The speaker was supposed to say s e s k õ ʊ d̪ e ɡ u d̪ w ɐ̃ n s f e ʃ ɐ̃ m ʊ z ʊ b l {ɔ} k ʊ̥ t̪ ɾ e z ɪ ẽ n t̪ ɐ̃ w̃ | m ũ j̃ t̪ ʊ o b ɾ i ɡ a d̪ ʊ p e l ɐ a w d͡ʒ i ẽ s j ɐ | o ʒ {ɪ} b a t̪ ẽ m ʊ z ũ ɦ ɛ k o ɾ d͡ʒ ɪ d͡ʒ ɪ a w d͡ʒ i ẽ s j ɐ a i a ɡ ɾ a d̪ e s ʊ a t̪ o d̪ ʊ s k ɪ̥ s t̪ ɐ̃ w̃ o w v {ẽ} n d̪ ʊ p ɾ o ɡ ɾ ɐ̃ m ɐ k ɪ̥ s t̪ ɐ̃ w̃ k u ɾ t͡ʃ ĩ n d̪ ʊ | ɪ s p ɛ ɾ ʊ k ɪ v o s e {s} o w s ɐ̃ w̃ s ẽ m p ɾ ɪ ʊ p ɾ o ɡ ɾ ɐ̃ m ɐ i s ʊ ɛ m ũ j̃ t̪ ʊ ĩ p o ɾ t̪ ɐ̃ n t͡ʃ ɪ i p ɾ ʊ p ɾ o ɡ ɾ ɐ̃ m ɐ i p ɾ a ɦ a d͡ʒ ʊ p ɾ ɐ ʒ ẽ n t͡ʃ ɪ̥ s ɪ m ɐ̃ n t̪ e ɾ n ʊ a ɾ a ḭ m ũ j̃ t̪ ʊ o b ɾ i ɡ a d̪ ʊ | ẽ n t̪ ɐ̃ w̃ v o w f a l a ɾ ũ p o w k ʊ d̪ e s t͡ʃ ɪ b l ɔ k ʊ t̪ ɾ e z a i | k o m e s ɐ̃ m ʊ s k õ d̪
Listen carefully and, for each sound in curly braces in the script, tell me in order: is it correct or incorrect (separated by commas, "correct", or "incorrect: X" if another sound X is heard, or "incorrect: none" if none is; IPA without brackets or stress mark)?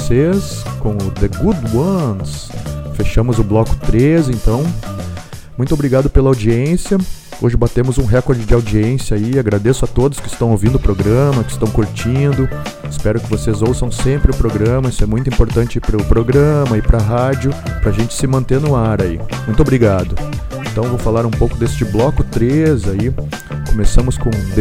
correct, correct, incorrect: ĩ, incorrect: z